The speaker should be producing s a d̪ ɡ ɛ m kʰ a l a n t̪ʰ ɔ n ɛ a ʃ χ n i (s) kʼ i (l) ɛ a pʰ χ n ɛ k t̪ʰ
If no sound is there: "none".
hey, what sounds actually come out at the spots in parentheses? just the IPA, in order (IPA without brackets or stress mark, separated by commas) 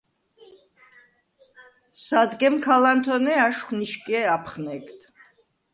ʃ, none